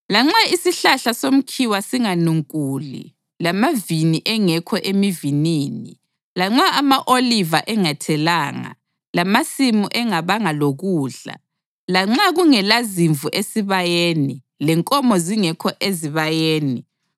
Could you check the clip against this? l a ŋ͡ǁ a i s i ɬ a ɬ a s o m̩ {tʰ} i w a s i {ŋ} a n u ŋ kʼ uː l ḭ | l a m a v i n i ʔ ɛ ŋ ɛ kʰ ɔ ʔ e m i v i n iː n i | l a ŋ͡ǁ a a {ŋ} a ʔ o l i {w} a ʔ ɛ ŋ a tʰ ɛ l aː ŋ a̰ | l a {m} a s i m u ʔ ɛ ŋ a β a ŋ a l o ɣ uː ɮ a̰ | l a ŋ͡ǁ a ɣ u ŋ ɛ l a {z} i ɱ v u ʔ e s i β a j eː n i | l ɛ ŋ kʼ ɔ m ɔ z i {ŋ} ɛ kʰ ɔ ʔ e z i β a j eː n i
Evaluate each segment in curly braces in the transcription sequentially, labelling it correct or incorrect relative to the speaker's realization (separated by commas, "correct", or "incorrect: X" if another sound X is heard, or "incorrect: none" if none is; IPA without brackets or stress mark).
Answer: incorrect: kʰ, correct, incorrect: m, incorrect: v, correct, correct, correct